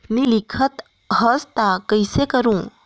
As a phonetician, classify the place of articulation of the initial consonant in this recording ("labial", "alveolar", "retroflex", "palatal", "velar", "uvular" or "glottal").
alveolar